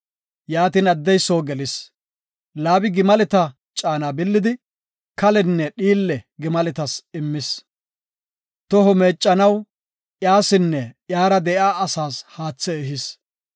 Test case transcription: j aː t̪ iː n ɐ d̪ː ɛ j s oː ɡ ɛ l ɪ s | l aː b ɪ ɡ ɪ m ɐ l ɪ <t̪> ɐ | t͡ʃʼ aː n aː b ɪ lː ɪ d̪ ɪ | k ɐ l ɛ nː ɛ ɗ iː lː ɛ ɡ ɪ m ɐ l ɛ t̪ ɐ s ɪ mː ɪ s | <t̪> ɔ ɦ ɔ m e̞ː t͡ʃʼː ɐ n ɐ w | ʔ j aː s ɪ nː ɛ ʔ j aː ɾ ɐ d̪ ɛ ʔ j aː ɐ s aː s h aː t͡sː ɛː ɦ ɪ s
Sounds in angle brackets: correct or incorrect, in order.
correct, correct

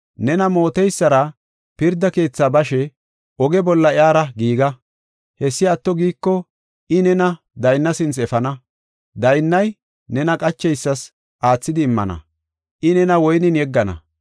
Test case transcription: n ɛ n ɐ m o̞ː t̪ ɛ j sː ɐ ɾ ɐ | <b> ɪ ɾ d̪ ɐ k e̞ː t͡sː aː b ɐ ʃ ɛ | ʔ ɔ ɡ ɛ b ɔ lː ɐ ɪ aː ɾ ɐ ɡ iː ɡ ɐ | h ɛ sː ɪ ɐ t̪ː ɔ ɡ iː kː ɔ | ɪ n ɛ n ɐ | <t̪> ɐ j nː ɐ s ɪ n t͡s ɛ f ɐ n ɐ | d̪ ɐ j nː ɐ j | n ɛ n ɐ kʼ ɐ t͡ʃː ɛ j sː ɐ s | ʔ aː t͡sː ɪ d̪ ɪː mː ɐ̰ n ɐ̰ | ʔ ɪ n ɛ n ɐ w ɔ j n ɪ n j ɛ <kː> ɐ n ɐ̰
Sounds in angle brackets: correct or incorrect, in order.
incorrect, incorrect, incorrect

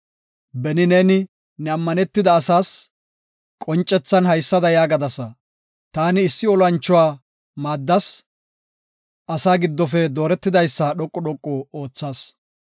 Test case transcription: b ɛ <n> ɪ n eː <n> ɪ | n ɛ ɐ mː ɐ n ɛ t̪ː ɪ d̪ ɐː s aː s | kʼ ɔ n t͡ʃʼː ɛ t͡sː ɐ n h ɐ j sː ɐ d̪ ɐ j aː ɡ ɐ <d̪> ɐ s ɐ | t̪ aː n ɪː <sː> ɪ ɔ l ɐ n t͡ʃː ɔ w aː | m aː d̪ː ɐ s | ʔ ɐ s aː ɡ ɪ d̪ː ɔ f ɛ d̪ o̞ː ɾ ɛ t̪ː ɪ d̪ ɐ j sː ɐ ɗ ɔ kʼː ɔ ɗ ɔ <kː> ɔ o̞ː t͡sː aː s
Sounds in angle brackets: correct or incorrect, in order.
correct, correct, correct, correct, incorrect

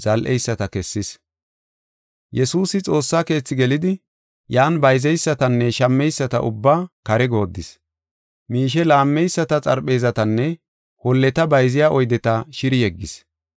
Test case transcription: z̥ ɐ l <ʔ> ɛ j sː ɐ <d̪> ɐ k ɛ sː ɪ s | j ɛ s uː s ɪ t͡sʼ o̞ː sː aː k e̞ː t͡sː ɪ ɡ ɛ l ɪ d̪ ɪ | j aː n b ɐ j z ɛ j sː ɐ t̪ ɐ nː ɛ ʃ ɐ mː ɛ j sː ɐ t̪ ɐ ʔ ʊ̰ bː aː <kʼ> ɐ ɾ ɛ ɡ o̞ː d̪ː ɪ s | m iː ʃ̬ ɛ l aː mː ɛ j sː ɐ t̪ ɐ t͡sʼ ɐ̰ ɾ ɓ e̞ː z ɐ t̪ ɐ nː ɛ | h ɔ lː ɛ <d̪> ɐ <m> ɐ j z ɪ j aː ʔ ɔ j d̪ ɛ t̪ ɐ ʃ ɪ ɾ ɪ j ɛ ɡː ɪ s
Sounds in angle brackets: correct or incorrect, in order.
correct, incorrect, incorrect, incorrect, incorrect

